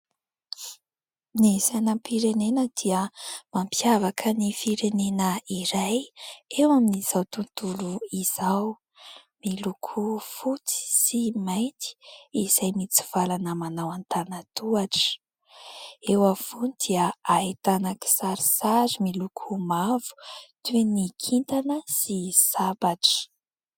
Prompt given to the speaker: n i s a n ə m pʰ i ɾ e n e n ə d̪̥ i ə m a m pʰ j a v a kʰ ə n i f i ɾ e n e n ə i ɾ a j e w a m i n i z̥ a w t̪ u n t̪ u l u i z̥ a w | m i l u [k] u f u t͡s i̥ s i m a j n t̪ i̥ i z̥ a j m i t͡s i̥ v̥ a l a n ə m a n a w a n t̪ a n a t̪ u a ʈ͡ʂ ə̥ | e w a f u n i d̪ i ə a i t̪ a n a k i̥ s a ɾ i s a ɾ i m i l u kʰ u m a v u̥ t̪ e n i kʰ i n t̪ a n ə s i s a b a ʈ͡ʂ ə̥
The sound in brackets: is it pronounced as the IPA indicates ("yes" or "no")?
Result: no